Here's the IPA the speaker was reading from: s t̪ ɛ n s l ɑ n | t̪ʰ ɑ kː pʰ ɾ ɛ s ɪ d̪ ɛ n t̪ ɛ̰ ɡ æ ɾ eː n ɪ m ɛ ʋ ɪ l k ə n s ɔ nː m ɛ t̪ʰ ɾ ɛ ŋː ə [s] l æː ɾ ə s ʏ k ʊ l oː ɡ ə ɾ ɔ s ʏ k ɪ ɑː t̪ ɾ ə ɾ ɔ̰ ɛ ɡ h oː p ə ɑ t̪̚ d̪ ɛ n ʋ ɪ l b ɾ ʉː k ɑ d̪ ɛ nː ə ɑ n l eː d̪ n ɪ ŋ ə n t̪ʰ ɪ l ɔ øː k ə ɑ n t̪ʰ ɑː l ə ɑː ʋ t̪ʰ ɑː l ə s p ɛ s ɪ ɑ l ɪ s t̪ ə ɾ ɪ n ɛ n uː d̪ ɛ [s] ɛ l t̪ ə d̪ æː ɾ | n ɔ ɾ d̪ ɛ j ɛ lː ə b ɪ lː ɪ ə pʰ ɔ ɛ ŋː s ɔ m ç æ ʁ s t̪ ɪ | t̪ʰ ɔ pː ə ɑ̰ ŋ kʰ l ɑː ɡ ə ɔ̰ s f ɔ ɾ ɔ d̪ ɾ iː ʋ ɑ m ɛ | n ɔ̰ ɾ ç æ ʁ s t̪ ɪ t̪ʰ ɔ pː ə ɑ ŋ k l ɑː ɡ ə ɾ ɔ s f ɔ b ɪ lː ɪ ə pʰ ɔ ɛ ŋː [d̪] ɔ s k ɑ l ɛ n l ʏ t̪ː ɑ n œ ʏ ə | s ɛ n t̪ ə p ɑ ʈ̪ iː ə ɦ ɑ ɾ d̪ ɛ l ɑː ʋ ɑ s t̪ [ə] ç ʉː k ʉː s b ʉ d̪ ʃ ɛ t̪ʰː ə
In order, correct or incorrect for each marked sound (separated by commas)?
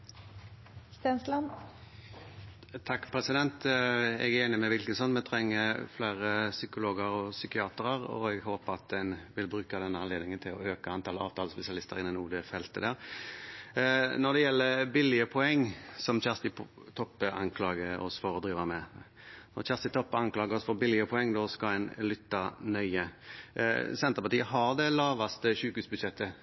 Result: incorrect, incorrect, correct, correct